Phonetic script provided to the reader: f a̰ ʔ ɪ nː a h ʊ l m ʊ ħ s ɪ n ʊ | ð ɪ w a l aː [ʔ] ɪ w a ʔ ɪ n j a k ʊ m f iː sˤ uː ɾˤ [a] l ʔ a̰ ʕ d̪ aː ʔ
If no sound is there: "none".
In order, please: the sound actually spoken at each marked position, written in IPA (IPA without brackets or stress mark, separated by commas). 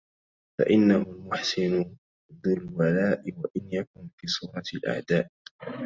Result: ʔ, ɑ